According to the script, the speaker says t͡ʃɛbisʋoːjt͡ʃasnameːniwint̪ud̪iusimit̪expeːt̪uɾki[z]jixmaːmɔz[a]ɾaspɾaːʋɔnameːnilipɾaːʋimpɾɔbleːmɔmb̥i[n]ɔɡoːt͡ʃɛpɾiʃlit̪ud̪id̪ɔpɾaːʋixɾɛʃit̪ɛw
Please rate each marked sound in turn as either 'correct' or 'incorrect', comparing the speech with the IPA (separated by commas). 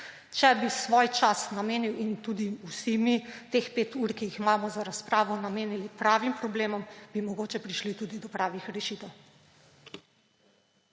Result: incorrect, correct, incorrect